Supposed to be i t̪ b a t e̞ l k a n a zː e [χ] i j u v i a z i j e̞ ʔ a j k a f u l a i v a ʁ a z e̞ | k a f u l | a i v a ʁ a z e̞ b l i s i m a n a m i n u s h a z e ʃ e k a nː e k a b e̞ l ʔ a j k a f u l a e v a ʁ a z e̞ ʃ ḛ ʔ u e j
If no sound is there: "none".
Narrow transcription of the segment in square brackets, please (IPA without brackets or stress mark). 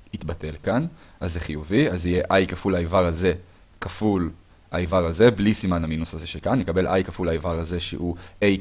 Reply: χ